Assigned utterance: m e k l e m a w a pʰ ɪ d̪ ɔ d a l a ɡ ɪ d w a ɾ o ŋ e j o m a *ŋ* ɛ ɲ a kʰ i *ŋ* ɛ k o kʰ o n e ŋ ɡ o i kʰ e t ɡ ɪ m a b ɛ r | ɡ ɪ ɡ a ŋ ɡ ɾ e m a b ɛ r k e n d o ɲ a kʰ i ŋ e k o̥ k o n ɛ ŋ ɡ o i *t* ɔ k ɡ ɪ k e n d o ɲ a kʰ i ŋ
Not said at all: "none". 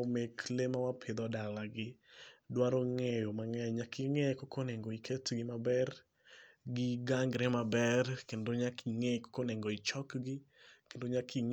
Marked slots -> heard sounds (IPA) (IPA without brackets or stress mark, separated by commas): ŋ, ŋ, t͡ʃ